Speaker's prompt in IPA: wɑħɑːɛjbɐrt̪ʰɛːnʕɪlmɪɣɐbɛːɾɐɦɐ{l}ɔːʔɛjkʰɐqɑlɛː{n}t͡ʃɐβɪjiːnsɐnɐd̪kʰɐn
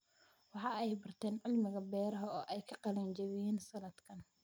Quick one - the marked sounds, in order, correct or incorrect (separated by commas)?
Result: incorrect, correct